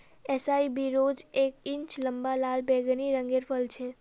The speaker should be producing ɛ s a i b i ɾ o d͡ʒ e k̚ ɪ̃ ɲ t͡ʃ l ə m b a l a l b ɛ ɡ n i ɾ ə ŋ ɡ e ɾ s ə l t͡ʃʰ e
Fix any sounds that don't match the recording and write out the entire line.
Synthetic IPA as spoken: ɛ s a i b i ɾ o d͡ʒ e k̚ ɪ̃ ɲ t͡ʃ l ə m b a l a l b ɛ ɡ n i ɾ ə ŋ ɡ e ɾ f ə l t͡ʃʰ e